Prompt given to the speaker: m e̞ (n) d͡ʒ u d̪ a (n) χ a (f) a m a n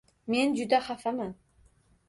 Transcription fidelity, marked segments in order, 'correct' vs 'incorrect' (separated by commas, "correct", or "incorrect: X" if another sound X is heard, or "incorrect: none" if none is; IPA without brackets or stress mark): correct, incorrect: none, correct